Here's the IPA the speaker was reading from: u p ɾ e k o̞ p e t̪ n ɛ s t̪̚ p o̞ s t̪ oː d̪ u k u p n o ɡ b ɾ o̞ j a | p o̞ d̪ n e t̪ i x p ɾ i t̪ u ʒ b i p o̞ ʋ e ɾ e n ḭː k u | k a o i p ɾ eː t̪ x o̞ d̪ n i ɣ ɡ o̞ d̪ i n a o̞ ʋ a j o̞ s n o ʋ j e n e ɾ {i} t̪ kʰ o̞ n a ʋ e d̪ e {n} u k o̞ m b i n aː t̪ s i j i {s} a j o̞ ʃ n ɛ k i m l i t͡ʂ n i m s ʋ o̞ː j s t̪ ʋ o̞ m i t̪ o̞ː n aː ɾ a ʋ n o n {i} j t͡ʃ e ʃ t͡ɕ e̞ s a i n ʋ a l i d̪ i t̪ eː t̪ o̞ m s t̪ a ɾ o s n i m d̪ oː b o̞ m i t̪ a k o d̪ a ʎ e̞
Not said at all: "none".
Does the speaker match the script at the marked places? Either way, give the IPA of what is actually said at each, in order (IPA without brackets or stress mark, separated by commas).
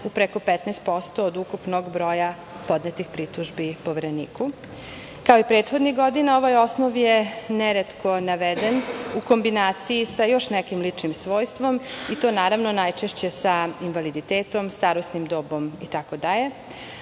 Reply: e, n, s, a